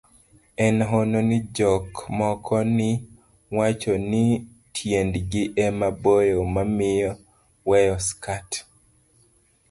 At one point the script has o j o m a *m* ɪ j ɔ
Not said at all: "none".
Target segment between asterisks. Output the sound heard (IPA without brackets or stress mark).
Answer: m